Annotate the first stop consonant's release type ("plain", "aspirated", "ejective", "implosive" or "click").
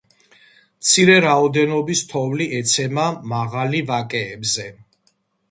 plain